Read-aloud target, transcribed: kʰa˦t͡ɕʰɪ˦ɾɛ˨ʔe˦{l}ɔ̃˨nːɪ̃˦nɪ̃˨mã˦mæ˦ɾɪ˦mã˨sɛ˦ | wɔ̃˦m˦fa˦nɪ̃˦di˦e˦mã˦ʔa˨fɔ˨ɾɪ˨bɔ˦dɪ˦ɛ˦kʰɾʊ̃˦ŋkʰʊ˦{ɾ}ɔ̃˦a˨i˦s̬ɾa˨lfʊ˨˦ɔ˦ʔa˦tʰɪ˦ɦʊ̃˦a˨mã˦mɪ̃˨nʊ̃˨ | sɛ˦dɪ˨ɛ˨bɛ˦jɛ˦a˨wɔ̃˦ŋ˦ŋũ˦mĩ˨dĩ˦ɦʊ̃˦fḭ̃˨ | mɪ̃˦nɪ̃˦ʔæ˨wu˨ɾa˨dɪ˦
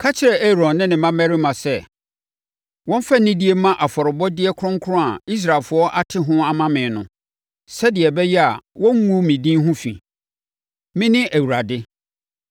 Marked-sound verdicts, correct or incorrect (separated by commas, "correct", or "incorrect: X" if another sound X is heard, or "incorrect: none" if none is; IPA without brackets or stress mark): incorrect: ɾ, correct